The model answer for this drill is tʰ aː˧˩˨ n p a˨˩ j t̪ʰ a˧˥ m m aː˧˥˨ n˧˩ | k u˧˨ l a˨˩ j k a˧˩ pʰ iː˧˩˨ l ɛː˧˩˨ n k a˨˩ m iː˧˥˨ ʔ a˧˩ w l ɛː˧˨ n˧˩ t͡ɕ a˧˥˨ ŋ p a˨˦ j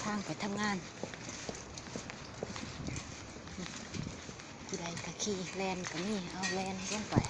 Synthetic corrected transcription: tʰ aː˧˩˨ ŋ p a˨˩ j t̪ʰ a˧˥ m ŋ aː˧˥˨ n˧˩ | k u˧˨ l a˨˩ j k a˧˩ kʰ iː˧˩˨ l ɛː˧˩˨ n k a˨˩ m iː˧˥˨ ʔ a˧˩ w l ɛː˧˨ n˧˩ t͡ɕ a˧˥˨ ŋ p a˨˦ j